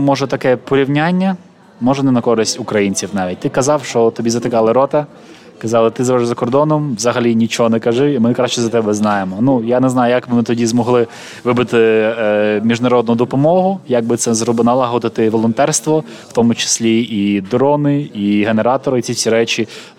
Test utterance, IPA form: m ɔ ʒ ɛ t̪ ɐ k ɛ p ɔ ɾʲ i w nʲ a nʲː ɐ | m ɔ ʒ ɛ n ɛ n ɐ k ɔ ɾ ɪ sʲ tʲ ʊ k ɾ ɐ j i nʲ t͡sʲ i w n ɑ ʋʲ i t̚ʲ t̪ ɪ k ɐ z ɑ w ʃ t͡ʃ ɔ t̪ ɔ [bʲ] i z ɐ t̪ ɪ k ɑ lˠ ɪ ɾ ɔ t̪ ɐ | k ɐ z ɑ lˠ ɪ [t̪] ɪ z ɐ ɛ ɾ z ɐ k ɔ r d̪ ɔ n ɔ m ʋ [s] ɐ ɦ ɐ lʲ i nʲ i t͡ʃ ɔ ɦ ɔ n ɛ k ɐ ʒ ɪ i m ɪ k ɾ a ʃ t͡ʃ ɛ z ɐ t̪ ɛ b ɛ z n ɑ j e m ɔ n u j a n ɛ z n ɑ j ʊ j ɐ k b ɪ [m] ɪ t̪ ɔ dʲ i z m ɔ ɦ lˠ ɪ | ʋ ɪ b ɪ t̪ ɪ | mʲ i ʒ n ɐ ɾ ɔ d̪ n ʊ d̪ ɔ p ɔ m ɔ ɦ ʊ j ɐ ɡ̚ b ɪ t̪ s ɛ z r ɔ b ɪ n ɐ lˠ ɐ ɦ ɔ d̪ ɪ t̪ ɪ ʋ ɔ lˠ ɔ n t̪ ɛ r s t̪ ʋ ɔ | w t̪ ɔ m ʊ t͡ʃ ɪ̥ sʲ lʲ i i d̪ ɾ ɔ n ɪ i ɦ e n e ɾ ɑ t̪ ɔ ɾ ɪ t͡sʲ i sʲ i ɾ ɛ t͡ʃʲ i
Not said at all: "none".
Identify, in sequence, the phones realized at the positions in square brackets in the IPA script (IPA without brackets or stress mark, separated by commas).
bʲ, t̪, z, m